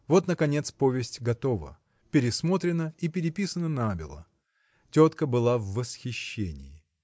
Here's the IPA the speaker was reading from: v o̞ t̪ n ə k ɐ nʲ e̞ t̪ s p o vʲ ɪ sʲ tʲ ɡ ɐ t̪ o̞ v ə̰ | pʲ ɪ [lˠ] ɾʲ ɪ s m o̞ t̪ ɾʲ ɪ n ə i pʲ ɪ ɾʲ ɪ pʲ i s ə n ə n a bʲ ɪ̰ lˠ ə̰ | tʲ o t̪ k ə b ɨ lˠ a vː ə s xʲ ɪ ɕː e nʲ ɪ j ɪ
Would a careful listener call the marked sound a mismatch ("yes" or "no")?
yes